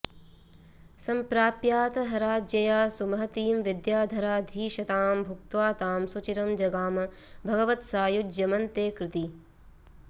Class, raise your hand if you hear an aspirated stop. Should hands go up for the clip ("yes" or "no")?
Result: no